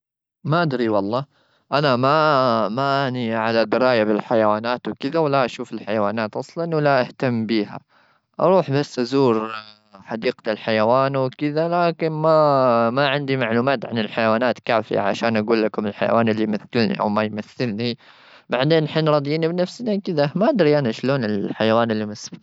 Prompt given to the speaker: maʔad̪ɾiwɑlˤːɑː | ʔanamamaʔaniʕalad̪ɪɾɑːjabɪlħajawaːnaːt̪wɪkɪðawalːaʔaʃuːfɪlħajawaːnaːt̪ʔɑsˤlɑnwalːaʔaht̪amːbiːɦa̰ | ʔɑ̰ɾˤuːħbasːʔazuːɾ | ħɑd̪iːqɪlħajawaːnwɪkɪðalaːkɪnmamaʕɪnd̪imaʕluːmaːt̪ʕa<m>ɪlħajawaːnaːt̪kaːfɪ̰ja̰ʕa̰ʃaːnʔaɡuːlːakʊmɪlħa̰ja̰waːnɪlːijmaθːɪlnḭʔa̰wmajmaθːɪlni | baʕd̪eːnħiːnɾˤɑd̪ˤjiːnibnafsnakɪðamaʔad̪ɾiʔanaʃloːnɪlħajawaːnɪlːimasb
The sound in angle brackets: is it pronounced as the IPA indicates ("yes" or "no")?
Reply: no